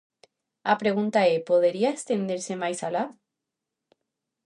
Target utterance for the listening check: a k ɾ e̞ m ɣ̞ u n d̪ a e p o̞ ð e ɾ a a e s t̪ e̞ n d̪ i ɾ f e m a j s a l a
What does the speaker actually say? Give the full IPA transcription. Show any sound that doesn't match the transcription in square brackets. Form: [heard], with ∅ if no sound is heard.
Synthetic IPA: a [p] ɾ e̞ [∅] ɣ̞ u n [t̪] a e p o̞ ð e ɾ [i] a e s t̪ e̞ n d̪ [e] ɾ [s] e m a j s a l a